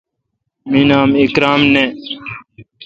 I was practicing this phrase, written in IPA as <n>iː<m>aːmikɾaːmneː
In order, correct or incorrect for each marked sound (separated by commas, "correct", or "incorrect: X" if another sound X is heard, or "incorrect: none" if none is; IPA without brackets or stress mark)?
incorrect: m, incorrect: n